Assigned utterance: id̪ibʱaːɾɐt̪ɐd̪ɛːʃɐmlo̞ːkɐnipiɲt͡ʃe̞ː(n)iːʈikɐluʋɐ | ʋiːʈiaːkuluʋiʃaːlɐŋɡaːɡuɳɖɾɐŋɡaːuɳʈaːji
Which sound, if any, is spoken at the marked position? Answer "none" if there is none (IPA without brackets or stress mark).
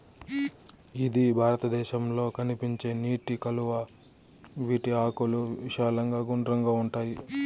n